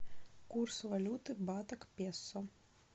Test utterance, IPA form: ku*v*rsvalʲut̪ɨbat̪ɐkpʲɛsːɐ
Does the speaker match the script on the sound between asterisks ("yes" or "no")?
no